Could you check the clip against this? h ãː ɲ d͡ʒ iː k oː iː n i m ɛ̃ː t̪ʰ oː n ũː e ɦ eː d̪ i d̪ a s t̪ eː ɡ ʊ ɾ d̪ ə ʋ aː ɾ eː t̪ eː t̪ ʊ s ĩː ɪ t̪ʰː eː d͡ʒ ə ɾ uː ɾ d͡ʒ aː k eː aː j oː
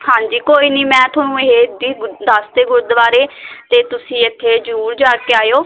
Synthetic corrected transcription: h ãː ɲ d͡ʒ iː k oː iː n iː m ɛ̃ː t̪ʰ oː n ũː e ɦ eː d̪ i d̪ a s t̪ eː ɡ ʊ ɾ d̪ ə ʋ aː ɾ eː t̪ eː t̪ ʊ s ĩː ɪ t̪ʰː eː d͡ʒ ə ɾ uː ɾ d͡ʒ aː k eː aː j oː

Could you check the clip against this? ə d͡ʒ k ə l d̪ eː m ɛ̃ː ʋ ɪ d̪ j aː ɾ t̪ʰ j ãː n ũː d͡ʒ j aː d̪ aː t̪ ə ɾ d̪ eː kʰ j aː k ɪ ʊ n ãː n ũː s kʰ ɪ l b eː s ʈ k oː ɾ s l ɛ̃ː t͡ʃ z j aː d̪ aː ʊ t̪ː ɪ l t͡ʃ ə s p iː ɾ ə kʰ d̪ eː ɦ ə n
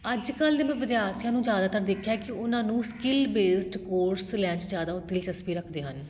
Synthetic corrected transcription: ə d͡ʒ k ə l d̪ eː m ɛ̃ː ʋ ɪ d̪ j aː ɾ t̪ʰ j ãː n ũː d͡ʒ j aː d̪ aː t̪ ə ɾ d̪ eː kʰ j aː k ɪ ʊ n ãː n ũː s k ɪ l b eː s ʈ k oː ɾ s l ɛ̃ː t͡ʃ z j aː d̪ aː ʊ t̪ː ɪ l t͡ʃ ə s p iː ɾ ə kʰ d̪ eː ɦ ə n

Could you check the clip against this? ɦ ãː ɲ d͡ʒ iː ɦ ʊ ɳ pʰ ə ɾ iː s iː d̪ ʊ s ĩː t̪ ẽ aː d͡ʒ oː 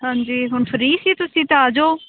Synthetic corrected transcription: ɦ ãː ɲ d͡ʒ iː ɦ ʊ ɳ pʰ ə ɾ iː s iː t̪ ʊ s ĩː t̪ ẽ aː d͡ʒ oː

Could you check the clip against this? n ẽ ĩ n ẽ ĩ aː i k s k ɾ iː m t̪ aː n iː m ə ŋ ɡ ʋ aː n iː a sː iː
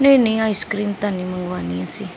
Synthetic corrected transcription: n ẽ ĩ n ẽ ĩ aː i s k ɾ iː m t̪ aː n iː m ə ŋ ɡ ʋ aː n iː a s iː

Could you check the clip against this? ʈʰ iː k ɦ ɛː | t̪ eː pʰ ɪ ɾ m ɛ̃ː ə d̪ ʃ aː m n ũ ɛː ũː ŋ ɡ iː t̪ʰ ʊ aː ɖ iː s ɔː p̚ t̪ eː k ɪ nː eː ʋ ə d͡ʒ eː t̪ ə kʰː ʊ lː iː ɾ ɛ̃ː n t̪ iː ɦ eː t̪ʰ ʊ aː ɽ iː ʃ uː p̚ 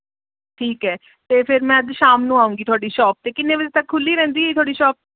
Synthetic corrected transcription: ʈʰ iː k ɦ ɛː | t̪ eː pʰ ɪ ɾ m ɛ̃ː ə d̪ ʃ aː m n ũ aː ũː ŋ ɡ iː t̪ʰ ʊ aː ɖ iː ʃ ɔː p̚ t̪ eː k ɪ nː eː ʋ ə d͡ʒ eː t̪ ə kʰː ʊ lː iː ɾ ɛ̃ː n d̪ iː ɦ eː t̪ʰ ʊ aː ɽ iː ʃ ɔː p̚

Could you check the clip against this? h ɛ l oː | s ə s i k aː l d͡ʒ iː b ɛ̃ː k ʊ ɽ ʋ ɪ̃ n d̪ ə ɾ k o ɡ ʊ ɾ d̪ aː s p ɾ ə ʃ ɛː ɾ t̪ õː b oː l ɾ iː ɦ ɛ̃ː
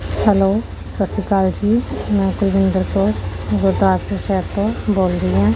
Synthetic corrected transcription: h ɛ l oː | s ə s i k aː l d͡ʒ iː m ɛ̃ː k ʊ l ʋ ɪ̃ n d̪ ə ɾ k o ɡ ʊ ɾ d̪ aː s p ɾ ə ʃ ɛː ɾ t̪ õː b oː l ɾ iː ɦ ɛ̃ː

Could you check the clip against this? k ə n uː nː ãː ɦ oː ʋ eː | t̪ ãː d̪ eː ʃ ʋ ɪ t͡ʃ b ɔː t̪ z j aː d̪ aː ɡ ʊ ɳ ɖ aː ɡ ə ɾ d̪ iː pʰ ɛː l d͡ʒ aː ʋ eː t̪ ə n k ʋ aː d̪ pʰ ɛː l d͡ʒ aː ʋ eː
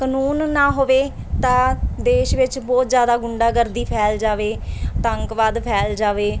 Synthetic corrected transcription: k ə n uː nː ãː ɦ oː ʋ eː | t̪ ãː d̪ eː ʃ ʋ ɪ t͡ʃ b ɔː t̪ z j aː d̪ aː ɡ ʊ ɳ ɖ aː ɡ ə ɾ d̪ iː pʰ ɛː l d͡ʒ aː ʋ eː t̪ ə ŋ k ʋ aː d̪ pʰ ɛː l d͡ʒ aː ʋ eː

